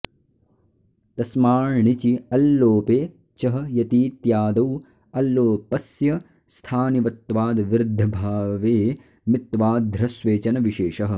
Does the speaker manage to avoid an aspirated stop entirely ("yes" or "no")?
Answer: no